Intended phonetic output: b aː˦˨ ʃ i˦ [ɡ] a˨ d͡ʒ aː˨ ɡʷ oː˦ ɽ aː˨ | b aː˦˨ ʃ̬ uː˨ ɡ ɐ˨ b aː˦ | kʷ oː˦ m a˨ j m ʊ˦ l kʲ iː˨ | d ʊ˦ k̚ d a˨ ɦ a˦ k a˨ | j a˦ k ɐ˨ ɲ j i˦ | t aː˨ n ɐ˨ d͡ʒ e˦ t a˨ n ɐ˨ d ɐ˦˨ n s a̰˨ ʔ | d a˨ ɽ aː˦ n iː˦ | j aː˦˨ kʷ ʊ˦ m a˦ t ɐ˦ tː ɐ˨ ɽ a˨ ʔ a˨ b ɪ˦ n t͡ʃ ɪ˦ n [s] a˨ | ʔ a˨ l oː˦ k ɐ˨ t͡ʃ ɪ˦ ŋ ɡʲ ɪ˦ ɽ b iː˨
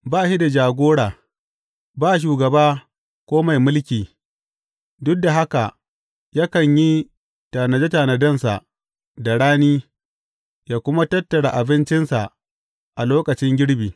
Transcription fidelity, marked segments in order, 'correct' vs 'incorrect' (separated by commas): incorrect, correct